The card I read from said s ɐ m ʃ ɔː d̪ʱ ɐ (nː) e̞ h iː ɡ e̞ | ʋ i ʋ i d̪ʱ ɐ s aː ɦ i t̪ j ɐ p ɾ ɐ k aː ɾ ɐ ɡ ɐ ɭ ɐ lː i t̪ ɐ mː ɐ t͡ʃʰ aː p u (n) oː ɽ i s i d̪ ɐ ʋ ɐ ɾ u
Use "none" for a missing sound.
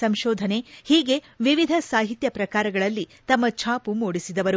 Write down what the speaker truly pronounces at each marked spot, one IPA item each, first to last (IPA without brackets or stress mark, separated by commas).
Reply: n, m